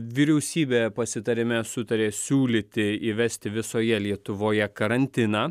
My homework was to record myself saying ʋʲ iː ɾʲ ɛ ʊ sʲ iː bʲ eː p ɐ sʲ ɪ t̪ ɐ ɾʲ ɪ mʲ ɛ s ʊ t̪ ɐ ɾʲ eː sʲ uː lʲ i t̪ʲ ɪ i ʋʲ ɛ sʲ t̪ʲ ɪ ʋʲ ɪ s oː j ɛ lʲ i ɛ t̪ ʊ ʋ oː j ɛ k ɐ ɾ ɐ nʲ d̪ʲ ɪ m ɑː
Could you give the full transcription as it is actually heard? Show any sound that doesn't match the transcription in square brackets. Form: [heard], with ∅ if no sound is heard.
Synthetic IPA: ʋʲ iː ɾʲ ɛ ʊ sʲ iː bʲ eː p ɐ sʲ ɪ t̪ ɐ ɾʲ ɪ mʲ ɛ s ʊ t̪ ɐ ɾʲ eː sʲ uː lʲ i t̪ʲ ɪ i ʋʲ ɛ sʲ t̪ʲ ɪ ʋʲ ɪ s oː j ɛ lʲ i ɛ t̪ ʊ ʋ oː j ɛ k ɐ ɾ ɐ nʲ [t̪ʲ] ɪ [n] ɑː

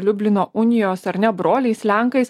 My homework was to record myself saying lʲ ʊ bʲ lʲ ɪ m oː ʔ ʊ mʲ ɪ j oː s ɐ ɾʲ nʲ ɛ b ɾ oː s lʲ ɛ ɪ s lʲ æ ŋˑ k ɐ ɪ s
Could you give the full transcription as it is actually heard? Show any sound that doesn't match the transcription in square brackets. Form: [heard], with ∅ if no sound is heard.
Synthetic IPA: lʲ ʊ bʲ lʲ ɪ [n] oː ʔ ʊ [nʲ] ɪ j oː s ɐ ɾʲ nʲ ɛ b ɾ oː [∅] lʲ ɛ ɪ s lʲ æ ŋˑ k ɐ ɪ s

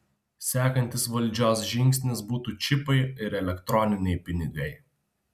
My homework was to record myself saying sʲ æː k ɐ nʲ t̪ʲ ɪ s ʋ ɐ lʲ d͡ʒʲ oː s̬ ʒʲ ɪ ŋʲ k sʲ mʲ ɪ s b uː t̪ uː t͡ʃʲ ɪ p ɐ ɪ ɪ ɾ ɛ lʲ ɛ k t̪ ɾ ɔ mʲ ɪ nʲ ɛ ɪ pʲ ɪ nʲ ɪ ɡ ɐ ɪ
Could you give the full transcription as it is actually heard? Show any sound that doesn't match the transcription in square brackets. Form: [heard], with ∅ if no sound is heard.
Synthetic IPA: sʲ æː k ɐ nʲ t̪ʲ ɪ s ʋ ɐ lʲ d͡ʒʲ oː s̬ ʒʲ ɪ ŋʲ k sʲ [nʲ] ɪ s b uː t̪ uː t͡ʃʲ ɪ p ɐ ɪ ɪ ɾ ɛ lʲ ɛ k t̪ ɾ ɔ [nʲ] ɪ nʲ ɛ ɪ pʲ ɪ nʲ ɪ ɡ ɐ ɪ

